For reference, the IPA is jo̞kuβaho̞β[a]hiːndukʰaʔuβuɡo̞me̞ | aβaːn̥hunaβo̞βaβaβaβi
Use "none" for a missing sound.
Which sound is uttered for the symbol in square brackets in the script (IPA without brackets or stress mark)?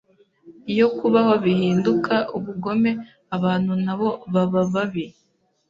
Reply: i